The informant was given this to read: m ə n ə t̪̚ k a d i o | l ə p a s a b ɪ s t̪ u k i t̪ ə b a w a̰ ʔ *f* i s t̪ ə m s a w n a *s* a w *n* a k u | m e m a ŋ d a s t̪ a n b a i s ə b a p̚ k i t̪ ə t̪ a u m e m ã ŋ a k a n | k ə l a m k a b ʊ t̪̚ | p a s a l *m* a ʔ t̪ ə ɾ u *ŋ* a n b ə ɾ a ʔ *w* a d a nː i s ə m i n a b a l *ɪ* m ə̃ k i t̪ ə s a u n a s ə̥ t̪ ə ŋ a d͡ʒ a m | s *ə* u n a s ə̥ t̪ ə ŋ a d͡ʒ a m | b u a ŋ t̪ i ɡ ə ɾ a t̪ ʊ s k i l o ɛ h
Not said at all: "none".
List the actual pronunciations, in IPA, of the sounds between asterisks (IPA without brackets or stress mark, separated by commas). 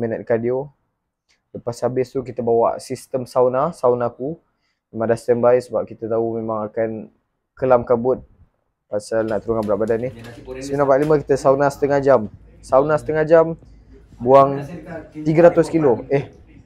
s, s, n, n, ŋ, b, i, a